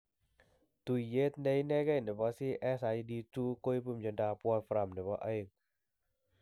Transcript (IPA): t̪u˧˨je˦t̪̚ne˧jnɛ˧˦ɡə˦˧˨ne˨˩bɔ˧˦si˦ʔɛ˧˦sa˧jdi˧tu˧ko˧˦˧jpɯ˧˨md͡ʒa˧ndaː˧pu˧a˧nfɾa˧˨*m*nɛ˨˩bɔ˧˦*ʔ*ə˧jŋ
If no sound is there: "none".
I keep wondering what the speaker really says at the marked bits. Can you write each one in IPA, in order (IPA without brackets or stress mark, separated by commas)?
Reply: m, ʔ